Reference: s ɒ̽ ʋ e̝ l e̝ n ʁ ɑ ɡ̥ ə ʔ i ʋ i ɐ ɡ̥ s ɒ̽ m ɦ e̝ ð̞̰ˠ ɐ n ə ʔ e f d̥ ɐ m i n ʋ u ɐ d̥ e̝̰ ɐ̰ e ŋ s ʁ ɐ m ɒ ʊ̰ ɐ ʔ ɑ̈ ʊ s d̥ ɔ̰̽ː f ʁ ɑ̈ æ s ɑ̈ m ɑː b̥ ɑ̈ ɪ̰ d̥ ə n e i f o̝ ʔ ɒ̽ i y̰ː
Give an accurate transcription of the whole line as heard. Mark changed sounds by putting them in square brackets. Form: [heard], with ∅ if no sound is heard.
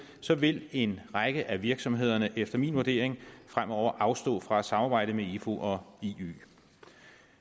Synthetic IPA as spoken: s ɒ̽ ʋ e̝ l e̝ n ʁ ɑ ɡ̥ ə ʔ [æ] ʋ i ɐ ɡ̥ s ɒ̽ m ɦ e̝ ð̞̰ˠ ɐ n ə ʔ e f d̥ ɐ m i n ʋ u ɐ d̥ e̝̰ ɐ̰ e ŋ [f] ʁ [a] m ɒ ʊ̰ ɐ ʔ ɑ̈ ʊ s d̥ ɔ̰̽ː f ʁ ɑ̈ æ s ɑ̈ m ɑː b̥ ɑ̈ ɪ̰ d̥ ə [m] e i f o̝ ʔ ɒ̽ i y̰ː

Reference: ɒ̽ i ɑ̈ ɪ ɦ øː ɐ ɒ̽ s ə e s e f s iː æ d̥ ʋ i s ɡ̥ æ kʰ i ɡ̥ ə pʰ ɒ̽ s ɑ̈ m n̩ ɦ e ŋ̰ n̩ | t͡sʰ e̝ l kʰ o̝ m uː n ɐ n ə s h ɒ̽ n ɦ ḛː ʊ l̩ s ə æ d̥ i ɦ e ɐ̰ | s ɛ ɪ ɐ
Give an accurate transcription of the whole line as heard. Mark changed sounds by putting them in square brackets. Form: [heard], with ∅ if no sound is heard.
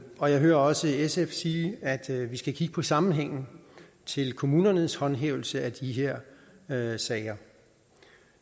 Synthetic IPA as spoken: ɒ̽ [j] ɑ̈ ɪ ɦ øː ɐ ɒ̽ s ə e s e f s iː æ d̥ ʋ i s ɡ̥ æ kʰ i ɡ̥ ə pʰ ɒ̽ s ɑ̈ m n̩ ɦ e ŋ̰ n̩ | t͡sʰ e̝ l kʰ o̝ m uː n ɐ n ə s h ɒ̽ n ɦ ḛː ʊ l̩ s ə æ d̥ i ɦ e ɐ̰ | s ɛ ɪ ɐ

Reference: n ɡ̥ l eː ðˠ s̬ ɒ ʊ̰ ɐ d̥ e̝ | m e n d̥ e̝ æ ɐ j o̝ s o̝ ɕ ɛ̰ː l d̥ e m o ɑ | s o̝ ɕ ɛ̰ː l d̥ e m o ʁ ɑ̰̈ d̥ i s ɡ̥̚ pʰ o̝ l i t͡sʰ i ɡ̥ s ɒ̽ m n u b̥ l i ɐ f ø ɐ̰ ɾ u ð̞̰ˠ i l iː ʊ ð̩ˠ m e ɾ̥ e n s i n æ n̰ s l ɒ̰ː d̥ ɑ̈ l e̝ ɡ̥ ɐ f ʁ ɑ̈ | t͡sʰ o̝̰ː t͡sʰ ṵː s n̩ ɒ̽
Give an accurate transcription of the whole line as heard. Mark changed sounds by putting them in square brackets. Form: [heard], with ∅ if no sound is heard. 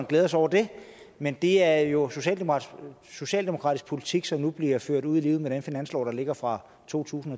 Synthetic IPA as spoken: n ɡ̥ l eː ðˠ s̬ ɒ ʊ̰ ɐ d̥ e̝ | m e n d̥ e̝ æ ɐ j o̝ s o̝ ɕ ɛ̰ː l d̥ e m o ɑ | s o̝ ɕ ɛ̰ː l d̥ e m o ʁ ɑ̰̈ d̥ i s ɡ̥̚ pʰ o̝ l i t͡sʰ i ɡ̥ s ɒ̽ m n u b̥ l i ɐ f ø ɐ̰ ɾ u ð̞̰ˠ i l iː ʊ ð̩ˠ m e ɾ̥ e n [f] i n æ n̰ s l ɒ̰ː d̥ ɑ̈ l e̝ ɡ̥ ɐ f ʁ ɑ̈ | t͡sʰ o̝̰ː t͡sʰ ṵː s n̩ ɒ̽

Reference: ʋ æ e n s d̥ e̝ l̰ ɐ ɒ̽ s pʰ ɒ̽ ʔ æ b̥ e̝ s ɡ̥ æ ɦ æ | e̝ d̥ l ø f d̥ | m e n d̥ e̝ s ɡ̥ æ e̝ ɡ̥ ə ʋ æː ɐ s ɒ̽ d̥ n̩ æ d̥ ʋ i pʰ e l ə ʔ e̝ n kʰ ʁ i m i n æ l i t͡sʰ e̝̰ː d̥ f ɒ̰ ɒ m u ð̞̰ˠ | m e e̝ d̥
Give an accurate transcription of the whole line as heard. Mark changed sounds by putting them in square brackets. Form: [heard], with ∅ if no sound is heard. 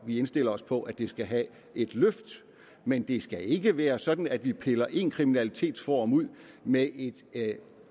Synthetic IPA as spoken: ʋ [i] e n s d̥ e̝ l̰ ɐ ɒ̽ s pʰ ɒ̽ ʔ æ [d̥] e̝ s ɡ̥ æ ɦ æ | e̝ d̥ l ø f d̥ | m e n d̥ e̝ s ɡ̥ æ e̝ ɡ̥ ə ʋ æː ɐ s ɒ̽ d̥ n̩ æ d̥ ʋ i pʰ e l [ɐ] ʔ e̝ n kʰ ʁ i m i n æ l i t͡sʰ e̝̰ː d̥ f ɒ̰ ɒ m u ð̞̰ˠ | m e e̝ d̥

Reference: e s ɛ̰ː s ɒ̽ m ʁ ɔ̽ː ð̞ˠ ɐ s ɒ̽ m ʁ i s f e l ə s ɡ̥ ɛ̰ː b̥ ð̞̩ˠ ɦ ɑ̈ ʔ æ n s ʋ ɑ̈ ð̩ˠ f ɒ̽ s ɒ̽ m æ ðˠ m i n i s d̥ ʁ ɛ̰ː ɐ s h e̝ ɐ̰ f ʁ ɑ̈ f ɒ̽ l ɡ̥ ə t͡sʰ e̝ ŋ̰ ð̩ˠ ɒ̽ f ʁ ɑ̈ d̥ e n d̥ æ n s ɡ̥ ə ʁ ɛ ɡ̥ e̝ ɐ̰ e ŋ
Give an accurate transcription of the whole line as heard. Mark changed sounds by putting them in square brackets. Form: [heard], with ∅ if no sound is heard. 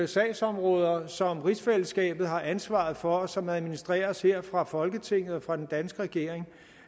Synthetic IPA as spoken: e s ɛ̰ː s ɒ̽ m ʁ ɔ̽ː ð̞ˠ ɐ s ɒ̽ m ʁ i s f e l ə s ɡ̥ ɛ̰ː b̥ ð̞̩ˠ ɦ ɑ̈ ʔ æ n s ʋ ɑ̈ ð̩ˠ f ɒ̽ s ɒ̽ m æ ðˠ m i n i s d̥ ʁ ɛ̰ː ɐ s h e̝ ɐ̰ f ʁ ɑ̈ f ɒ̽ l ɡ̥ ə t͡sʰ e̝ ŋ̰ ð̩ˠ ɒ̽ f ʁ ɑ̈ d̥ e n d̥ æ n s ɡ̥ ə ʁ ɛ ɡ̥ e̝ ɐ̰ e ŋ

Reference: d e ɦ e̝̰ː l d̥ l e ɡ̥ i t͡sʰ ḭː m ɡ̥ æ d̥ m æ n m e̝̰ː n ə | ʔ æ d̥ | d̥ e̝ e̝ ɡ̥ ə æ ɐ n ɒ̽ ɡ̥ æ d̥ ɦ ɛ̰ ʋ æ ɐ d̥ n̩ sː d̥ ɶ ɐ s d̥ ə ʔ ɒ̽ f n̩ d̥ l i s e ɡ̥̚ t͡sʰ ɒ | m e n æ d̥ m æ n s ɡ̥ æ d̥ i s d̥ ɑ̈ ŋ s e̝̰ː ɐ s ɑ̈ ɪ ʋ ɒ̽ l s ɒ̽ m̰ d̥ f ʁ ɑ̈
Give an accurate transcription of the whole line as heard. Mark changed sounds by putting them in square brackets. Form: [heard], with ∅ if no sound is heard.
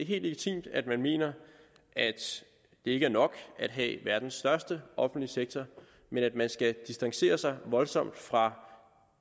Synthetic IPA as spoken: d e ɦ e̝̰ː l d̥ l e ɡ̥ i t͡sʰ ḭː m [d̥] æ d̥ m æ n m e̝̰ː n [ɐ] | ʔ æ d̥ | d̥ e̝ e̝ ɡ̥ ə æ ɐ n ɒ̽ ɡ̥ æ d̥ ɦ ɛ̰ ʋ æ ɐ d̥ n̩ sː d̥ ɶ ɐ s d̥ ə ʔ ɒ̽ f n̩ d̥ l i s e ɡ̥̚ t͡sʰ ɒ | m e n æ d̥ m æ n s ɡ̥ æ d̥ i s d̥ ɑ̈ ŋ s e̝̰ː ɐ s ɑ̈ ɪ ʋ ɒ̽ l s ɒ̽ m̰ d̥ f ʁ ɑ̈

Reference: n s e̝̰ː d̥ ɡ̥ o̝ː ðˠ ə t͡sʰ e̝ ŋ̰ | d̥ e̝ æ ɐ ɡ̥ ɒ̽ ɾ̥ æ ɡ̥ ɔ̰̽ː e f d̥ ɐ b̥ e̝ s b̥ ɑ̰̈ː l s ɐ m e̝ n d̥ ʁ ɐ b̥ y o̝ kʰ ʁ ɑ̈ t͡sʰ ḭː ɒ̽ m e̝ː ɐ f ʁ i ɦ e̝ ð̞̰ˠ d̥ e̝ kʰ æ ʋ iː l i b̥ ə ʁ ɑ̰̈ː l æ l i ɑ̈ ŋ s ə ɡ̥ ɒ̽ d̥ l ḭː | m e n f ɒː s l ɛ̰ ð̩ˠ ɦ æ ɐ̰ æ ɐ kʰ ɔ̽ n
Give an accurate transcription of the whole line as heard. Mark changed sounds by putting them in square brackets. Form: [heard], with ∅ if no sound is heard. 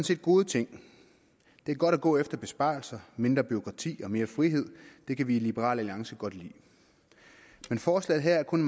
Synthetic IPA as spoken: n s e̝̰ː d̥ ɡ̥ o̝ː ðˠ ə t͡sʰ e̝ ŋ̰ | d̥ e̝ æ ɐ ɡ̥ ɒ̽ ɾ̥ æ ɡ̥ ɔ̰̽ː e f d̥ ɐ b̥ e̝ s b̥ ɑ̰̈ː l s ɐ m e̝ n d̥ ʁ ɐ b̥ y o̝ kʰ ʁ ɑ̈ t͡sʰ ḭː ɒ̽ m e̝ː ɐ f ʁ i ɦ e̝ ð̞̰ˠ d̥ e̝ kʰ æ ʋ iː l i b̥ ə ʁ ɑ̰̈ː l æ l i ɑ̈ ŋ s ə ɡ̥ ɒ̽ d̥ l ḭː | m e n f ɒː s l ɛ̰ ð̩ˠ ɦ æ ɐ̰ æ ɐ kʰ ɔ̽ n

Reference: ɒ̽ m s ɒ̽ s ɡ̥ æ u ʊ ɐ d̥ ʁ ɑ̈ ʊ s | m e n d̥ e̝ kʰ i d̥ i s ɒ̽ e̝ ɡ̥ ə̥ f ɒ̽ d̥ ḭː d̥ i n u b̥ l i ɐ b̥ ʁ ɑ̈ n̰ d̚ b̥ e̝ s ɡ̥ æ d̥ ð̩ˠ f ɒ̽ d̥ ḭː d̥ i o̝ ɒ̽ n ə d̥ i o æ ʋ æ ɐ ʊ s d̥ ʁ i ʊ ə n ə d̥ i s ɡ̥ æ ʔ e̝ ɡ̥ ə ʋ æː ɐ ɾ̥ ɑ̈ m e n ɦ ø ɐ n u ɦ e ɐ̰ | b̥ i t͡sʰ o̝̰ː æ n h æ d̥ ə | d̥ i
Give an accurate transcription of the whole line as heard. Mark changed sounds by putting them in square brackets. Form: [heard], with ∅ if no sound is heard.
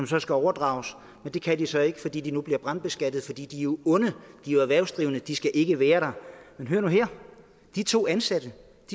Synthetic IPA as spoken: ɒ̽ m s ɒ̽ s ɡ̥ æ [ɒ] ʊ ɐ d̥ ʁ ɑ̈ ʊ s | m e n d̥ e̝ kʰ [æ] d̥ i s ɒ̽ e̝ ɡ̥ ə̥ f ɒ̽ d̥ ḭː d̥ i n u b̥ l i ɐ b̥ ʁ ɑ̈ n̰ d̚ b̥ e̝ s ɡ̥ æ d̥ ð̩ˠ f ɒ̽ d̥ ḭː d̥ i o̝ [ɔ̽] n ə d̥ i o æ ʋ æ ɐ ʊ s d̥ ʁ i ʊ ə n ə d̥ i s ɡ̥ æ ʔ e̝ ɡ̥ ə ʋ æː ɐ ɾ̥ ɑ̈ m e n ɦ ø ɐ n u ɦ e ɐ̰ | [d̥] i t͡sʰ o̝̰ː æ n [s] æ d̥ ə | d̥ i

